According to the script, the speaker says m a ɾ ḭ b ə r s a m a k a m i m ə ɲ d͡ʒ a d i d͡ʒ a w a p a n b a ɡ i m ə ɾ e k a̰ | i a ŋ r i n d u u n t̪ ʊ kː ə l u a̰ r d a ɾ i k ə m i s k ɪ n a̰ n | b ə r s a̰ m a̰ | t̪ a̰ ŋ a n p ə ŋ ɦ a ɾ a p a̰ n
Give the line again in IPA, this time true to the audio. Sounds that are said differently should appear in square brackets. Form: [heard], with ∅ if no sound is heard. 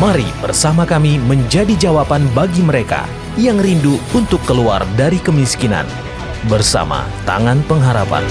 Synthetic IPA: m a ɾ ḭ b ə r s a m a k a m i m ə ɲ d͡ʒ a d i d͡ʒ a w a p a n b a ɡ i m ə ɾ e k a̰ | [j] a ŋ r i n d u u n t̪ ʊ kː ə l u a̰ r d a ɾ i k ə m i s k [i] n a̰ n | b ə r s a̰ m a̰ | t̪ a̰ ŋ a n p ə ŋ ɦ a ɾ a p a̰ n